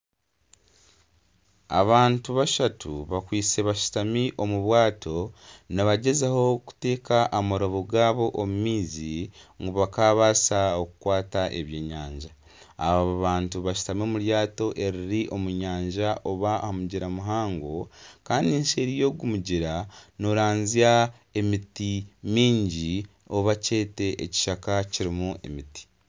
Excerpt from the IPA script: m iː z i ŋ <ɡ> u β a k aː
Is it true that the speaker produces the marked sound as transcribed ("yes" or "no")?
yes